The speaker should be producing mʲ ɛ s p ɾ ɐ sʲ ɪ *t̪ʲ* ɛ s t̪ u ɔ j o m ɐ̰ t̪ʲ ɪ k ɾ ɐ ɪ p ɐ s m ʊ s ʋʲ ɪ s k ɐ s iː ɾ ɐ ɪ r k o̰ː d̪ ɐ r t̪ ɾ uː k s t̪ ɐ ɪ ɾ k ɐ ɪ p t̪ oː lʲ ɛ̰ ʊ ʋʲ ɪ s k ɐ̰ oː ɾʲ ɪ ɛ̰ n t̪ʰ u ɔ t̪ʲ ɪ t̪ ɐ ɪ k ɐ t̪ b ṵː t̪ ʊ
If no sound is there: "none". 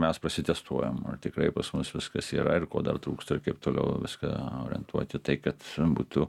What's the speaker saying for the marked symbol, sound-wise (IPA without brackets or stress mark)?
t̪ʲ